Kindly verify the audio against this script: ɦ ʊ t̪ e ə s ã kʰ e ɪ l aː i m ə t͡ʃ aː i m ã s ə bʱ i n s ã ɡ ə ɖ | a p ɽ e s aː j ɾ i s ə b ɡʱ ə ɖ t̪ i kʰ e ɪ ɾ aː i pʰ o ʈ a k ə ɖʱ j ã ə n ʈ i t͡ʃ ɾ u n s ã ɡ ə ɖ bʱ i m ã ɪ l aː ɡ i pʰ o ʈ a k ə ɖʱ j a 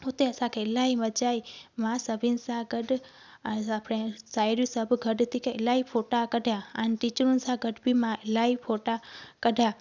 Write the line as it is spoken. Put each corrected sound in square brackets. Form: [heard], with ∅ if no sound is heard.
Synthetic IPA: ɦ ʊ t̪ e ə s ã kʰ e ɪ l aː i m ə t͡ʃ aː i m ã s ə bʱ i n s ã ɡ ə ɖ | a p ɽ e s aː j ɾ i s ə b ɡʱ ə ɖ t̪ i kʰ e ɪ [l] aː i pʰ o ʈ a k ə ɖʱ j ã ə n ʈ i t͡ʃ ɾ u n s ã ɡ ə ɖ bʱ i m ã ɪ l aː [∅] i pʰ o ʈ a k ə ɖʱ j a

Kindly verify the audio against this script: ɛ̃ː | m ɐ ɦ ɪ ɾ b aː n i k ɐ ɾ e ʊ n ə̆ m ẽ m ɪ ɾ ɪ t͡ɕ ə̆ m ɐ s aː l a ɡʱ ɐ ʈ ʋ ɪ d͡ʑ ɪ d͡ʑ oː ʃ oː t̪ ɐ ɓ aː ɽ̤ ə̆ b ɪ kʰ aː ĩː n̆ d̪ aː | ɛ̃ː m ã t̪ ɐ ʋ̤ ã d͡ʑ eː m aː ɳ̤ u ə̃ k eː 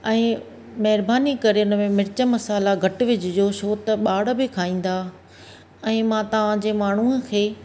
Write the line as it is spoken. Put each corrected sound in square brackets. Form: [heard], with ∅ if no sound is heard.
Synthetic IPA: ɛ̃ː | m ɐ ɦ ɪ ɾ b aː n i k ɐ ɾ e ʊ n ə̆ m ẽ m ɪ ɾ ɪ t͡ɕ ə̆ m ɐ s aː l a ɡʱ ɐ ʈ ʋ ɪ d͡ʑ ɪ d͡ʑ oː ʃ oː t̪ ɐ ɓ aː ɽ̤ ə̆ b ɪ kʰ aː ĩː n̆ d̪ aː | ɛ̃ː m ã t̪ ɐ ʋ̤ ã d͡ʑ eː m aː ɳ̤ u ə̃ [kʰ] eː

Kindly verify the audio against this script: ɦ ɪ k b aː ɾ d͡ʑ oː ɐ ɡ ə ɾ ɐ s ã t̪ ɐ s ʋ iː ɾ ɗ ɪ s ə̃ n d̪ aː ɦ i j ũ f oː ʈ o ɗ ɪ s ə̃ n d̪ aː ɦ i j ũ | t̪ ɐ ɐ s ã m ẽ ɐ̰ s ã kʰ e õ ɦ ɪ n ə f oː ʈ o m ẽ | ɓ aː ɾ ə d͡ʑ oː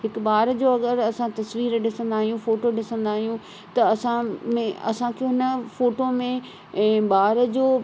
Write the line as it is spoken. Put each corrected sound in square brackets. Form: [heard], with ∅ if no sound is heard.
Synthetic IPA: ɦ ɪ k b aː ɾ d͡ʑ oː ɐ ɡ ə ɾ ɐ s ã t̪ ɐ s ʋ iː ɾ ɗ ɪ s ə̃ n d̪ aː ɦ i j ũ f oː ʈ o ɗ ɪ s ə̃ n d̪ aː ɦ i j ũ | t̪ ɐ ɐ s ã m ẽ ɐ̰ s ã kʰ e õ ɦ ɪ n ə f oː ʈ o m ẽ | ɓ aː ɾ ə d͡ʑ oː

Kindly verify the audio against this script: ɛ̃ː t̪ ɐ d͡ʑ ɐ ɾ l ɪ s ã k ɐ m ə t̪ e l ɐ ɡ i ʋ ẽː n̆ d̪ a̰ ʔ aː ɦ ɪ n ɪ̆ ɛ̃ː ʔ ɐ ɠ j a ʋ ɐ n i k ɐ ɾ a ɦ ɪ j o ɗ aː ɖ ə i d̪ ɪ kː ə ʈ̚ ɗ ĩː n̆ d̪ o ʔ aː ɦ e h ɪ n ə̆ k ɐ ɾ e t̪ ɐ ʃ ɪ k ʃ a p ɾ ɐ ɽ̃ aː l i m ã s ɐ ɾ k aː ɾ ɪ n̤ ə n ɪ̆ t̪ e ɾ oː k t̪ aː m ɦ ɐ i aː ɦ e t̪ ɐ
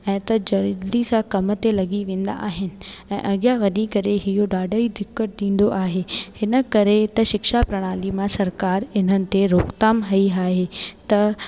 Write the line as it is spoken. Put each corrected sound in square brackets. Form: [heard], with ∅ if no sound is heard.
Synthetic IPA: ɛ̃ː t̪ ɐ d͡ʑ ɐ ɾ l [i] s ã k ɐ m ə t̪ e l ɐ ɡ i ʋ ẽː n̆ d̪ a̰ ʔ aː ɦ ɪ n ɪ̆ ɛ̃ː ʔ ɐ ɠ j a ʋ ɐ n i k ɐ ɾ [e] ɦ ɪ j o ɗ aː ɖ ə i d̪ ɪ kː ə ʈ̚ ɗ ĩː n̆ d̪ o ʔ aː ɦ e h ɪ n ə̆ k ɐ ɾ e t̪ ɐ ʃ ɪ k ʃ a p ɾ ɐ ɽ̃ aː l i m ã s ɐ ɾ k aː ɾ ɪ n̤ ə n ɪ̆ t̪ e ɾ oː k t̪ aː m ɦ ɐ i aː ɦ e t̪ ɐ

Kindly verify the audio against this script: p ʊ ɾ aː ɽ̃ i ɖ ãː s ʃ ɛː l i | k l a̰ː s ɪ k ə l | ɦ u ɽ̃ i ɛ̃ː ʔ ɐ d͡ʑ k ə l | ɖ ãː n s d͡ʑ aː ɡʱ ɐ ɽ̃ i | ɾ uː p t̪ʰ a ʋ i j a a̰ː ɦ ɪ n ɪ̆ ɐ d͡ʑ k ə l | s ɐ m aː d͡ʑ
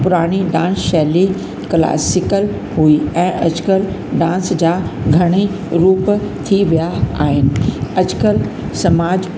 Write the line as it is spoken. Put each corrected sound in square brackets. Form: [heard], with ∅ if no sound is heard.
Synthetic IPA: p ʊ ɾ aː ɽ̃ i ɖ ãː s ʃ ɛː l i | k l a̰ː s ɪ k ə l | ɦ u [∅] i ɛ̃ː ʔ ɐ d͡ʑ k ə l | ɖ ãː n s d͡ʑ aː ɡʱ ɐ ɽ̃ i | ɾ uː p t̪ʰ [i] ʋ i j a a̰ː ɦ ɪ n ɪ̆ ɐ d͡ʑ k ə l | s ɐ m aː d͡ʑ

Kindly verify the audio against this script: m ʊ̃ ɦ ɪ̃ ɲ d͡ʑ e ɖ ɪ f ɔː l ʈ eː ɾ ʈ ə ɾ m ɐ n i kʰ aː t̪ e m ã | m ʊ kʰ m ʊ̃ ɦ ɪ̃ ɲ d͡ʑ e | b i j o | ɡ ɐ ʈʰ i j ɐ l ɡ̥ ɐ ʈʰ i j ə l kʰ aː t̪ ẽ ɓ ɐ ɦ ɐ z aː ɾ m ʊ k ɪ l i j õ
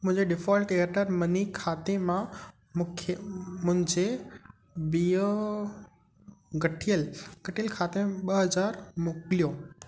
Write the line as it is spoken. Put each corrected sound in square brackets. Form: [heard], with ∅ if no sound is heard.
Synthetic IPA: m ʊ̃ ɦ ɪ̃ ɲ d͡ʑ e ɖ ɪ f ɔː l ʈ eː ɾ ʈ ə ɾ m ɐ n i kʰ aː t̪ e m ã | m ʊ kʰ m ʊ̃ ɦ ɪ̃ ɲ d͡ʑ e | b i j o | ɡ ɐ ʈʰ i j [ə] l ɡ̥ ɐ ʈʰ i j ə l kʰ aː t̪ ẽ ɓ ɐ ɦ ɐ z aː ɾ m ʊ k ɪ l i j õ

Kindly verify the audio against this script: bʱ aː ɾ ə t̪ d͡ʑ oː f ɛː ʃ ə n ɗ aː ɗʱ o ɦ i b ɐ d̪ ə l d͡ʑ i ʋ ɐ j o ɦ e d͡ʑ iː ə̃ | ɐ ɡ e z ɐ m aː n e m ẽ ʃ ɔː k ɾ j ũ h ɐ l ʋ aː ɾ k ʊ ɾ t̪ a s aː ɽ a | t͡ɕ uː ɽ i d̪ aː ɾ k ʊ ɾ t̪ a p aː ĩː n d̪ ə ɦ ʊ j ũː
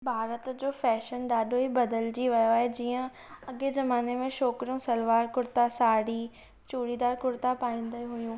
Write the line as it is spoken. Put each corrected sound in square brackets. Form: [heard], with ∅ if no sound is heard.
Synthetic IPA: bʱ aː ɾ ə t̪ d͡ʑ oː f ɛː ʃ ə n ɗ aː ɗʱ o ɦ i b ɐ d̪ ə l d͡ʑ i ʋ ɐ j o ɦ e d͡ʑ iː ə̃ | ɐ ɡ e z ɐ m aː n e m ẽ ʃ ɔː k ɾ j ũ [s] ɐ l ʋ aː ɾ k ʊ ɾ t̪ a s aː ɽ [i] | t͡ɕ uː ɽ i d̪ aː ɾ k ʊ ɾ t̪ a p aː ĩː n d̪ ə ɦ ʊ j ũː

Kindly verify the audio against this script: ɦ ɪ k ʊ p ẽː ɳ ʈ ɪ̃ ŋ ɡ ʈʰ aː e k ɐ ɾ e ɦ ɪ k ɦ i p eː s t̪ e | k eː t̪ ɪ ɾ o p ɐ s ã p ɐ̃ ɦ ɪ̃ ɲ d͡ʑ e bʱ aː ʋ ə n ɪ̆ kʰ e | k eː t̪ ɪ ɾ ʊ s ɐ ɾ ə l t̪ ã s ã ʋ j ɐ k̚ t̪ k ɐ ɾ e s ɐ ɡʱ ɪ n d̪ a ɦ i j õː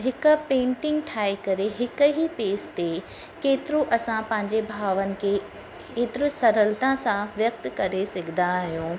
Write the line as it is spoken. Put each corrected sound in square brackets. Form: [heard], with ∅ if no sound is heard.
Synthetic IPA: ɦ ɪ k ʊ p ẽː ɳ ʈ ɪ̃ ŋ ɡ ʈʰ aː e k ɐ ɾ e ɦ ɪ k ɦ i p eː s t̪ e | k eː t̪ ɪ ɾ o [ʔ] ɐ s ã p ɐ̃ ɦ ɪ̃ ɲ d͡ʑ e bʱ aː ʋ ə n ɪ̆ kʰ e | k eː t̪ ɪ ɾ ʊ s ɐ ɾ ə l t̪ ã s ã ʋ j ɐ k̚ t̪ k ɐ ɾ e s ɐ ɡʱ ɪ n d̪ a ɦ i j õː

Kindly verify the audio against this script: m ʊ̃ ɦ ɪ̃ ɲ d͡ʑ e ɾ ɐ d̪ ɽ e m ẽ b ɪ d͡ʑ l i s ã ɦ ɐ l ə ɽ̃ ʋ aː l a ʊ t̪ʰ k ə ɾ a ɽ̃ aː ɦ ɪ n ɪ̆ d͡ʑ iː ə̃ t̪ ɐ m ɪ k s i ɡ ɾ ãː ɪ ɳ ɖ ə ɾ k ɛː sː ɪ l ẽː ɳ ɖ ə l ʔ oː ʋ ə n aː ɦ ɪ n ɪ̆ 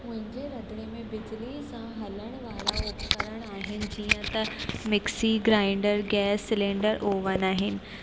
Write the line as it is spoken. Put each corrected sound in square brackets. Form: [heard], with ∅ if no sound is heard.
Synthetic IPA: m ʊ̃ ɦ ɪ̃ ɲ d͡ʑ e ɾ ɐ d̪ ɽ e m ẽ b ɪ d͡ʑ l i s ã ɦ ɐ l ə ɽ̃ ʋ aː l a ʊ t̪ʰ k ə ɾ [ə] ɽ̃ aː ɦ ɪ n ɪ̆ d͡ʑ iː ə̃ t̪ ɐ m ɪ k s i ɡ ɾ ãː ɪ ɳ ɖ ə ɾ [ɡ] ɛː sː ɪ l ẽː ɳ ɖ ə [ɾ] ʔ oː ʋ ə n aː ɦ ɪ n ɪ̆

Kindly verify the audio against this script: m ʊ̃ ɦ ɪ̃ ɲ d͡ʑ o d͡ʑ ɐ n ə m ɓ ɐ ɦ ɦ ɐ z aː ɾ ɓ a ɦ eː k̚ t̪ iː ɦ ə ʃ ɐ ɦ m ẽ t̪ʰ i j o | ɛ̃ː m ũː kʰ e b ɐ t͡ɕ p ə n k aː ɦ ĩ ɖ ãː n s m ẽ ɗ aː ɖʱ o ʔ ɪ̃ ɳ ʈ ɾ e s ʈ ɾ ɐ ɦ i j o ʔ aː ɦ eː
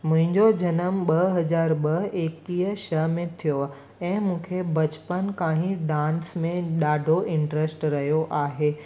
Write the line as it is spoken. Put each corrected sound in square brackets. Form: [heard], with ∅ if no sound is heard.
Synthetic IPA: m ʊ̃ ɦ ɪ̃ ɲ d͡ʑ o d͡ʑ ɐ n ə m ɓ ɐ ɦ ɦ ɐ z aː ɾ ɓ [ɐ] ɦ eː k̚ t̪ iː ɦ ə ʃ ɐ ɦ m ẽ t̪ʰ i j o | ɛ̃ː m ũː kʰ e b ɐ t͡ɕ p ə n k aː ɦ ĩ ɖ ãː n s m ẽ ɗ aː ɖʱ o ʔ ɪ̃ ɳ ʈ ɾ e s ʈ ɾ ɐ ɦ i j o ʔ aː ɦ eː

